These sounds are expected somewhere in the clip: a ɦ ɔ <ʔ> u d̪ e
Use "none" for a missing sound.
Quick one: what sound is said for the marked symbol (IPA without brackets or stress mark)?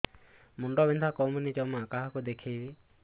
k